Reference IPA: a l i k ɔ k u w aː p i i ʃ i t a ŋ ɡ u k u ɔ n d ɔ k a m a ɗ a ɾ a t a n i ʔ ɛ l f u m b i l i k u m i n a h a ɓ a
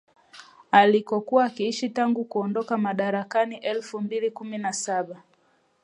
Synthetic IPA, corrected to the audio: a l i k ɔ k u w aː k i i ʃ i t a ŋ ɡ u k u ɔ n d ɔ k a m a ɗ a ɾ a k a n i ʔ ɛ l f u m b i l i k u m i n a s a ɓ a